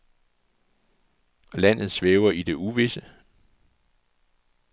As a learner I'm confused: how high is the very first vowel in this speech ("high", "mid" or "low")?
low